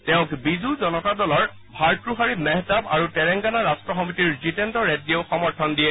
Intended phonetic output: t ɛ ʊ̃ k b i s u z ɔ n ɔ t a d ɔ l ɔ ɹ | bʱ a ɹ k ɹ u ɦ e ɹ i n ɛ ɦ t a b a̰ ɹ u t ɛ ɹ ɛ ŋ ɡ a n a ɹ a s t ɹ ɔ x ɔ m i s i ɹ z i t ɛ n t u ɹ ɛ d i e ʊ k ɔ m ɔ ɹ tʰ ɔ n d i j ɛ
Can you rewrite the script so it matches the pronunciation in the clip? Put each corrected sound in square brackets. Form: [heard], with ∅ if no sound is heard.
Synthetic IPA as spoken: t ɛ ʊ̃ k b i [z] u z ɔ n ɔ t a d ɔ l ɔ ɹ | bʱ a ɹ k ɹ u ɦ [a] ɹ i [m] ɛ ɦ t a b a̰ ɹ u t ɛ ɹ ɛ ŋ ɡ a n a ɹ a s t ɹ ɔ x ɔ m i [t] i ɹ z i t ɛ n t [ɔ] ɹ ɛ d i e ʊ [x] ɔ m ɔ ɹ tʰ ɔ n d i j ɛ